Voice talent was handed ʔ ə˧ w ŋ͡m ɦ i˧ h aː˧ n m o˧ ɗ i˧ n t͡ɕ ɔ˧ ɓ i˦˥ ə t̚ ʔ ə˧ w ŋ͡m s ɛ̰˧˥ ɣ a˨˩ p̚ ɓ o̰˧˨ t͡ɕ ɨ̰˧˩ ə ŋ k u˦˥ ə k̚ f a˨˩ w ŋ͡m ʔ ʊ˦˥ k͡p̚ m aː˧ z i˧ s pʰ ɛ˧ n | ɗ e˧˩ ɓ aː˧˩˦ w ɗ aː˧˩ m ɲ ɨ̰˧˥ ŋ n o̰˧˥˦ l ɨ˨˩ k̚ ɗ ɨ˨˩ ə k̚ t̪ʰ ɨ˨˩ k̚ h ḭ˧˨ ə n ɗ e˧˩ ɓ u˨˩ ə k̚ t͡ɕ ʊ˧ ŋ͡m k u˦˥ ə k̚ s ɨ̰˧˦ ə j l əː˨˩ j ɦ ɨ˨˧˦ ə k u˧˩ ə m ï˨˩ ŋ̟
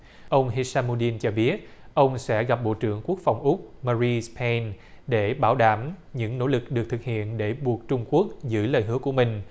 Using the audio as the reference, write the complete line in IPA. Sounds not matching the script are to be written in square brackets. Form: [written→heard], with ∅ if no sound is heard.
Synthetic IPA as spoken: ʔ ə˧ w ŋ͡m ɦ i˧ [h→s] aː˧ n m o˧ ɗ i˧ n t͡ɕ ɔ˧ ɓ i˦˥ ə t̚ ʔ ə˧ w ŋ͡m s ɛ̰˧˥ ɣ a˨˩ p̚ ɓ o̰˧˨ t͡ɕ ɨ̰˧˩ ə ŋ k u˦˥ ə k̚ f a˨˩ w ŋ͡m ʔ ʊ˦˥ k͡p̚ m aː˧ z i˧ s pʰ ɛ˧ n | ɗ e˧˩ ɓ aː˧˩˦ w ɗ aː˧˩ m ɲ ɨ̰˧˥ ŋ n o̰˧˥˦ l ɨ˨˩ k̚ ɗ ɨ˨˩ ə k̚ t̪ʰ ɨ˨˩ k̚ h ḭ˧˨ ə n ɗ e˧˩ ɓ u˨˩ ə k̚ t͡ɕ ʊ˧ ŋ͡m k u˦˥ ə k̚ [s→z] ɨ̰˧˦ ə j l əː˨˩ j ɦ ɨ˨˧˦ ə k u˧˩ ə m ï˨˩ ŋ̟